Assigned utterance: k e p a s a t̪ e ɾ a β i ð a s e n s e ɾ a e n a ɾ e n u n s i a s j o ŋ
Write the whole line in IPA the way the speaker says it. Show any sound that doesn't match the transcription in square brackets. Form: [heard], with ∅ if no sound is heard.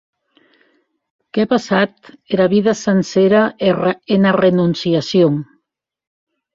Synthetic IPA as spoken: k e p a s a t̪ e ɾ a β i ð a s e n s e ɾ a e n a [r] e n u n s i a s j o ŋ